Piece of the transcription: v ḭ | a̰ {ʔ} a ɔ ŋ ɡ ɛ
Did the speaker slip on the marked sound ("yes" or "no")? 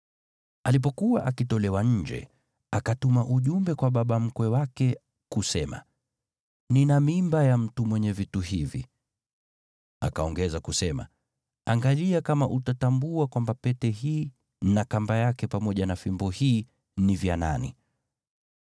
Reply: yes